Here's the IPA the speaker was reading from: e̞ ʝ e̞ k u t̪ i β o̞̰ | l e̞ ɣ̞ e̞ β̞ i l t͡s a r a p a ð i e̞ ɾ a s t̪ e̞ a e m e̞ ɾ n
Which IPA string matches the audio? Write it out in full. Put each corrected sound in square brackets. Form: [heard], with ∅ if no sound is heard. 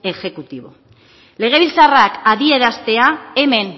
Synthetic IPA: e̞ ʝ e̞ k u t̪ i β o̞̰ | l e̞ ɣ̞ e̞ β̞ i l t͡s a r a [k] a ð i e̞ ɾ a s t̪ e̞ a e m e̞ [∅] n